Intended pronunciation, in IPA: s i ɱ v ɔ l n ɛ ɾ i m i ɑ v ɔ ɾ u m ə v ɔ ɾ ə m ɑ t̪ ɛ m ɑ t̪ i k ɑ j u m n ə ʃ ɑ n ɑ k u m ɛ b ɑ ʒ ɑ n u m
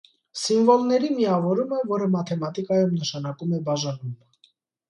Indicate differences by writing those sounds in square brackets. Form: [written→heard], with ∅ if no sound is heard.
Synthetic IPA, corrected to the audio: s i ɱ v ɔ l n ɛ ɾ i m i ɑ v ɔ ɾ u m ə v ɔ ɾ ə m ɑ [t̪→t̪ʰ] ɛ m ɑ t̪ i k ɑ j u m n ə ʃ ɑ n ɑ k u m ɛ b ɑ ʒ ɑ n u m

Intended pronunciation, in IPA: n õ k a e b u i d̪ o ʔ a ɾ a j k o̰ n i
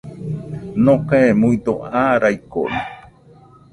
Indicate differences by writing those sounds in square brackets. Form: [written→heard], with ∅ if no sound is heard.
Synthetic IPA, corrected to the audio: n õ k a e [b→m] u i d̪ o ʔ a ɾ a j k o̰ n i

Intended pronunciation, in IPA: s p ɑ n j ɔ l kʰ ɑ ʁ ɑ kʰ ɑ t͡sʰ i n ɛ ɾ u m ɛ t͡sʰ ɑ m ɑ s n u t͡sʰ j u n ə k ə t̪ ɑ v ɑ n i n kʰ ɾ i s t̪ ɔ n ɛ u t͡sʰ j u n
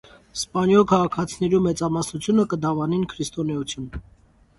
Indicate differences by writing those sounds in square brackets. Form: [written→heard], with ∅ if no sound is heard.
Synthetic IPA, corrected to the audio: s p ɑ n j ɔ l kʰ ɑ ʁ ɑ kʰ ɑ t͡sʰ i n ɛ ɾ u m ɛ [t͡sʰ→t͡s] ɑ m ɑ s n u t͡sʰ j u n ə k ə [t̪→d̪] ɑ v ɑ n i n kʰ ɾ i s t̪ ɔ n ɛ u t͡sʰ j u n

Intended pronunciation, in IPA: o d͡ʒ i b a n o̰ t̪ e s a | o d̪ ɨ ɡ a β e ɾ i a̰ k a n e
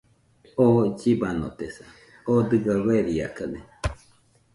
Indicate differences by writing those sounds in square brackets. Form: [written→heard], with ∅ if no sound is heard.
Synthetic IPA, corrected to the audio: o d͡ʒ i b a n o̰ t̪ e s a | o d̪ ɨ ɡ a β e ɾ i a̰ k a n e

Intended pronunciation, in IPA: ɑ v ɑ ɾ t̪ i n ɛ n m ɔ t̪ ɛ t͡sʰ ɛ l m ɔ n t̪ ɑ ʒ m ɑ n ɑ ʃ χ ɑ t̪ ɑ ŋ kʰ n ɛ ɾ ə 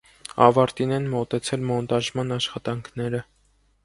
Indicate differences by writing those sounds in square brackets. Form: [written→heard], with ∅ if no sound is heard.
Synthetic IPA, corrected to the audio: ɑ v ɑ ɾ t̪ i n ɛ n m ɔ t̪ ɛ t͡sʰ ɛ l m ɔ n t̪ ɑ ʒ m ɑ n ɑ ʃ χ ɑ t̪ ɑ ŋ kʰ n ɛ ɾ ə

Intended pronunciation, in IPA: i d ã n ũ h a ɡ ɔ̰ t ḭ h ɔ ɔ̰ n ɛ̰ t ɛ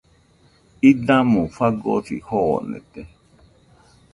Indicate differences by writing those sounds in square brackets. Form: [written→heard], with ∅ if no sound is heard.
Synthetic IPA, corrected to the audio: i d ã [n→m] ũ [h→f] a ɡ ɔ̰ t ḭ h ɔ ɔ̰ n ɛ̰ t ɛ

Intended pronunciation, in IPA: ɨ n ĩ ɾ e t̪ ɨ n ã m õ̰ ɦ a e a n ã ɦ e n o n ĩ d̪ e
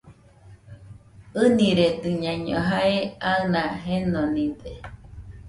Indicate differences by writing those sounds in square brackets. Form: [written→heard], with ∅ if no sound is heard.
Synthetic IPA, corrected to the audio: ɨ n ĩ ɾ e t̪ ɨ [n→ɲ] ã [m→ɲ] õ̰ ɦ a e a n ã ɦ e n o n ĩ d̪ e

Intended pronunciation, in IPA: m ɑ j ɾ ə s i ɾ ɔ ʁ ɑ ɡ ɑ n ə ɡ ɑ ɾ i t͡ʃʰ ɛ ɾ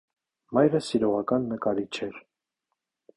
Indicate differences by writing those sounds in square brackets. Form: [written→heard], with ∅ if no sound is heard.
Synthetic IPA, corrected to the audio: m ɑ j ɾ ə s i ɾ ɔ ʁ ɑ [ɡ→k] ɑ [n→nː] ə [ɡ→k] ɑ ɾ i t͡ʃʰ ɛ ɾ

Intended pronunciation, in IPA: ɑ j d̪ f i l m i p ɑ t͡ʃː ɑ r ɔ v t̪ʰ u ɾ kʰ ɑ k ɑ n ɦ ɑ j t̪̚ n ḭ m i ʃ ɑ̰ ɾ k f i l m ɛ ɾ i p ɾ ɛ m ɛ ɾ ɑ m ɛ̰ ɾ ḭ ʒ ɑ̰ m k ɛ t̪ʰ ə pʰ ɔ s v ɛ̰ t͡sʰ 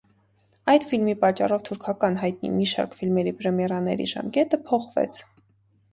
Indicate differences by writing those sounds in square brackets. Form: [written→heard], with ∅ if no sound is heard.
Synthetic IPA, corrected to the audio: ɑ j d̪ f i l m i p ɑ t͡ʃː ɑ r ɔ v t̪ʰ u ɾ kʰ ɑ k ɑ n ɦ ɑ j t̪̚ n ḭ m i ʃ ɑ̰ ɾ k f i l m ɛ ɾ i p ɾ ɛ m ɛ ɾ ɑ [m→n] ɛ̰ ɾ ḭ ʒ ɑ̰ m k ɛ [t̪ʰ→t̪] ə pʰ ɔ [s→χ] v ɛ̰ t͡sʰ

